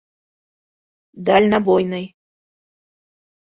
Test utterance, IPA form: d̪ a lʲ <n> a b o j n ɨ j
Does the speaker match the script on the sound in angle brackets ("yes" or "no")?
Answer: yes